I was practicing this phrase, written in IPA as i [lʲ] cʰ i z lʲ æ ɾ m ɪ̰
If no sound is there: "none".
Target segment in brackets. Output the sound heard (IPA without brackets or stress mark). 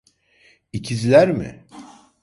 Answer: none